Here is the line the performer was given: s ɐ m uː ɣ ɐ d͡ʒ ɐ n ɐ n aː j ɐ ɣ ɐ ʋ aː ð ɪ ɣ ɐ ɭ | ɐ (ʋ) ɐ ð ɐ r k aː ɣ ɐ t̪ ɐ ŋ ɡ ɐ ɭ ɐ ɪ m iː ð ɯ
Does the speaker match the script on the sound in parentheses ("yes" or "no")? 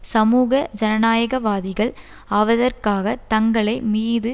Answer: yes